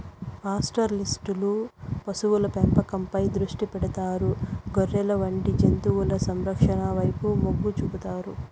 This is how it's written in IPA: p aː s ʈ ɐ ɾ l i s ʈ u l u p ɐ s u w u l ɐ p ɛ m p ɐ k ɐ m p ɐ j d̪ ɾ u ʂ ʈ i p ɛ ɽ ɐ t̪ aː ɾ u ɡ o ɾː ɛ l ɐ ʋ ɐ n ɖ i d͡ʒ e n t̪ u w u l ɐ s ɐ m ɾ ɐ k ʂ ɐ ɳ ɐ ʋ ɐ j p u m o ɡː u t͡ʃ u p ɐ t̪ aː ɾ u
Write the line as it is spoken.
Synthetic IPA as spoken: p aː s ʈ ɐ ɾ l i s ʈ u l u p ɐ s u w u l ɐ p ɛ m p ɐ k ɐ m p ɐ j d̪ ɾ u ʂ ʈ i p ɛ ɽ ɐ t̪ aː ɾ u ɡ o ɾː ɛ l ɐ ʋ ɐ ɳ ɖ i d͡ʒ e n t̪ u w u l ɐ s ɐ m ɾ ɐ k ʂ ɐ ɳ ɐ ʋ ɐ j p u m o ɡː u t͡ʃ u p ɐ t̪ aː ɾ u